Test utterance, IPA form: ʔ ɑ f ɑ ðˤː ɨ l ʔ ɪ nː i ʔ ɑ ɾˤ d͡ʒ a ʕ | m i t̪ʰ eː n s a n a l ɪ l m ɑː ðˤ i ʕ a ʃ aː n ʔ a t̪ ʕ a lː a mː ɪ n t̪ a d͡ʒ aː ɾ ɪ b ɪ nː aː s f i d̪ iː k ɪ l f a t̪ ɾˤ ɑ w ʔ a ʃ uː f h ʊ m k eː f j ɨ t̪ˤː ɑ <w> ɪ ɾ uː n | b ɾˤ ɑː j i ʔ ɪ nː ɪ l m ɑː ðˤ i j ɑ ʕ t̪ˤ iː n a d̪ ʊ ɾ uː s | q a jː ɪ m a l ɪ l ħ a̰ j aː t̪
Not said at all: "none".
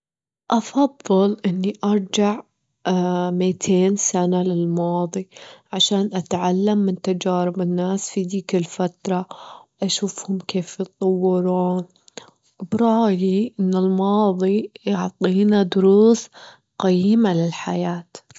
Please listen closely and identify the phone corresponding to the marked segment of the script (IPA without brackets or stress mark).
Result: wː